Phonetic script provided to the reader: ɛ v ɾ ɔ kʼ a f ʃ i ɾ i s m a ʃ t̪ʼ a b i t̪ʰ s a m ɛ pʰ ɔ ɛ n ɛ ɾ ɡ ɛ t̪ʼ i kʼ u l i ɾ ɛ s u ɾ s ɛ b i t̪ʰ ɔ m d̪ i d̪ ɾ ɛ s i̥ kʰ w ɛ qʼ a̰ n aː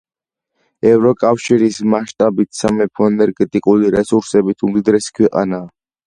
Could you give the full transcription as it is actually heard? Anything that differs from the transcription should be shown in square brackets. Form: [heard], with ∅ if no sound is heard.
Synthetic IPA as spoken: ɛ v ɾ ɔ kʼ a f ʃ i ɾ i s m a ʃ t̪ʼ a b i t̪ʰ s a m ɛ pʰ ɔ ɛ n ɛ ɾ ɡ ɛ t̪ʼ i kʼ u l i ɾ ɛ s u ɾ s ɛ b i t̪ʰ [u] m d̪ i d̪ ɾ ɛ s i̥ kʰ w ɛ qʼ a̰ n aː